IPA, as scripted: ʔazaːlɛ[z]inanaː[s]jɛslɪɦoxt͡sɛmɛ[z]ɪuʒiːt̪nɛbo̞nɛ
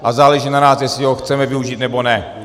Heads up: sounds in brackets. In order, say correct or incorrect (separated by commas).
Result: incorrect, correct, incorrect